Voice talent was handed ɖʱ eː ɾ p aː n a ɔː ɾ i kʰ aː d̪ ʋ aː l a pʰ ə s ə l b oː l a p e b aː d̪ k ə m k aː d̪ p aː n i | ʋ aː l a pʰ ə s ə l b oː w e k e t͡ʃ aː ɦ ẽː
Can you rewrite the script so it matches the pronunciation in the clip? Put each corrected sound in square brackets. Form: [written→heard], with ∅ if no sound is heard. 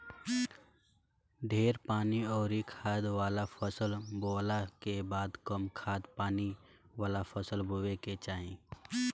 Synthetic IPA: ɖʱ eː ɾ p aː n [a→i] ɔː ɾ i kʰ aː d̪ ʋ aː l a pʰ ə s ə l b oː l a [p→k] e b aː d̪ k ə m [k→kʰ] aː d̪ p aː n i | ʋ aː l a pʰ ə s ə l b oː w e k e t͡ʃ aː ɦ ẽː